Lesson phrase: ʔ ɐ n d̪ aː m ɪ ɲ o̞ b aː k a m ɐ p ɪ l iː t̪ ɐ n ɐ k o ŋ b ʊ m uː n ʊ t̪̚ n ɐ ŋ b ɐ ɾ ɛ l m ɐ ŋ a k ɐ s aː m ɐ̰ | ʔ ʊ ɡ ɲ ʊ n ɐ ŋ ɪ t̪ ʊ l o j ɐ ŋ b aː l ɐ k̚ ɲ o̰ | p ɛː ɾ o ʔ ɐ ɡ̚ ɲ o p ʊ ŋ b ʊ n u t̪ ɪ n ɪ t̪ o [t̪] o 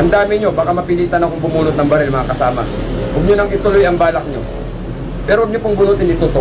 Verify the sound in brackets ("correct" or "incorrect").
correct